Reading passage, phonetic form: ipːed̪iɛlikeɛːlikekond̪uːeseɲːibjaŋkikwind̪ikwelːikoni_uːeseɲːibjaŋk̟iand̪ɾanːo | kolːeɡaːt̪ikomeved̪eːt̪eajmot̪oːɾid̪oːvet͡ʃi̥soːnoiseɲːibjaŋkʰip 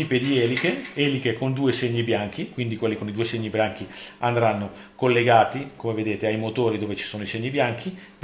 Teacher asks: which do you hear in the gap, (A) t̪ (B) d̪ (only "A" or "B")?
B